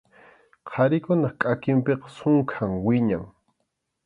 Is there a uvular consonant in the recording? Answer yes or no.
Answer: yes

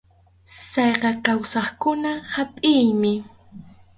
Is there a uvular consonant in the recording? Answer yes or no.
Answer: yes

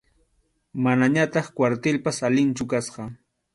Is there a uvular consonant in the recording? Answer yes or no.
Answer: yes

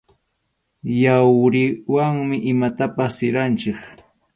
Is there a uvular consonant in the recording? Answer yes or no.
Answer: no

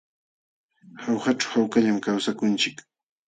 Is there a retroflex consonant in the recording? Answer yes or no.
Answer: yes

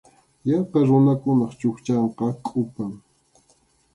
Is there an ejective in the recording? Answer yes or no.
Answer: yes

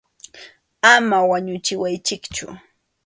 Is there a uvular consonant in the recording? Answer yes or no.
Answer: no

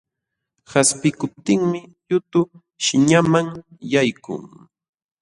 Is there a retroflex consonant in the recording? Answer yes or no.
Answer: no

